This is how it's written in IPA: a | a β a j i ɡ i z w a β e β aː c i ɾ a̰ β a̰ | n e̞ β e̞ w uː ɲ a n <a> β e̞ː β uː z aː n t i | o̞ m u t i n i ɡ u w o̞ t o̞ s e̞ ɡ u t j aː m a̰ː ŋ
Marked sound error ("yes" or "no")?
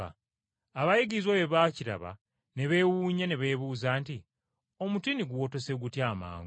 yes